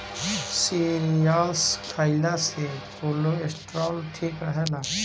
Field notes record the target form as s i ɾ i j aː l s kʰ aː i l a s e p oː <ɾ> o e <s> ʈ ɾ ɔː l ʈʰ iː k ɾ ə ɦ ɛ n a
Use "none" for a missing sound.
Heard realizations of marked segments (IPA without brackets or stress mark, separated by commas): l, s